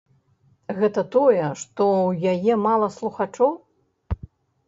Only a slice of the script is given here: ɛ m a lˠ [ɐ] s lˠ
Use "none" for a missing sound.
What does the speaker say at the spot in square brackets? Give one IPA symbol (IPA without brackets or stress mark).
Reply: ɐ